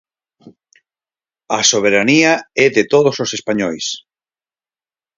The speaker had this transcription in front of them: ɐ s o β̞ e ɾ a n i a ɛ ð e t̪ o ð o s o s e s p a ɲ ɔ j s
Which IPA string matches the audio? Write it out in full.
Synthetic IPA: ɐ s o β̞ e ɾ a n i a ɛ ð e t̪ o ð o s o s e s p a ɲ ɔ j s